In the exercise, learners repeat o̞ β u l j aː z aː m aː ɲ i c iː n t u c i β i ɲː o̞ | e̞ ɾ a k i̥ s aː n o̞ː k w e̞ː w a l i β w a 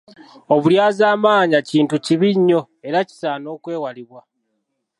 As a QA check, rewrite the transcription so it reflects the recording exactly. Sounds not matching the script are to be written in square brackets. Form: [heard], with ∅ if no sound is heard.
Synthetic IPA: o̞ β u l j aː z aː m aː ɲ [a] c iː n t u c i β i ɲː o̞ | e̞ ɾ a [c] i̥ s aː n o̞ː k w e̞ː w a l i β w a